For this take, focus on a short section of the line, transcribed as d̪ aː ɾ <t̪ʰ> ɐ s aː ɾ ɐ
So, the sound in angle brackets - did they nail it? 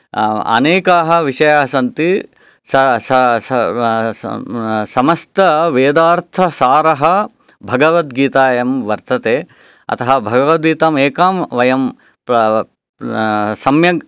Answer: yes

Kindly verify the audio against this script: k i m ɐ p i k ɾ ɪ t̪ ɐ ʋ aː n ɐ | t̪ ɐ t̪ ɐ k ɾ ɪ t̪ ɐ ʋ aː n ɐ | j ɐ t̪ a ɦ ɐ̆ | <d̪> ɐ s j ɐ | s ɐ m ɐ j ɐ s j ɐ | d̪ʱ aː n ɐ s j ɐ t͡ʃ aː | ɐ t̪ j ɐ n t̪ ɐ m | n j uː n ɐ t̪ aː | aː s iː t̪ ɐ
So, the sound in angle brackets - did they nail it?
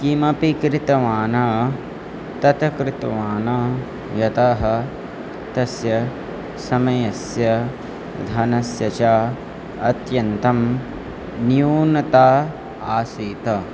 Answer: no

